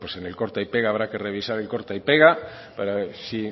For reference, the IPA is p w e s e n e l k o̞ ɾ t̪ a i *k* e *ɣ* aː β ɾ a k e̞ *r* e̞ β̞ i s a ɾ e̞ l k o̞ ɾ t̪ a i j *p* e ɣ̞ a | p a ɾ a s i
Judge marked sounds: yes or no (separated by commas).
no, yes, yes, yes